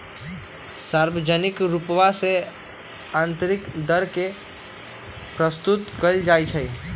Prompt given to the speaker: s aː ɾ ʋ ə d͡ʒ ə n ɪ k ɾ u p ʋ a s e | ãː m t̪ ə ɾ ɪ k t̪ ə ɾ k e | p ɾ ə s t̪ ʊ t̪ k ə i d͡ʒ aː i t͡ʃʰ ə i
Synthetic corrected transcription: s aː ɾ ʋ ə d͡ʒ ə n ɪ k ɾ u p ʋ a s e | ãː n t̪ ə ɾ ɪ k d̪ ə ɾ k e | p ɾ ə s t̪ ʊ t̪ k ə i d͡ʒ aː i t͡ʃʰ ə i